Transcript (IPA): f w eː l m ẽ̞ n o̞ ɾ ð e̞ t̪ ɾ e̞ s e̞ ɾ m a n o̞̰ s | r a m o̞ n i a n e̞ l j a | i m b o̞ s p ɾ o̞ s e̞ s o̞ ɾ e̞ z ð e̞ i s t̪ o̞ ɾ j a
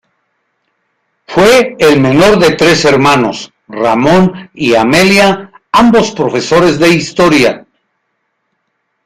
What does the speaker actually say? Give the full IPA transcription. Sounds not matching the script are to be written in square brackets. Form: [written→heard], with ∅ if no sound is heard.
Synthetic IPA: f w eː l m [ẽ̞→e̞] n o̞ ɾ ð e̞ t̪ ɾ e̞ s e̞ ɾ m a n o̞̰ s | r a m o̞ n i a [n→m] e̞ l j a | [i→a] m b o̞ s p ɾ o̞ [s→f] e̞ s o̞ ɾ e̞ z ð e̞ i s t̪ o̞ ɾ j a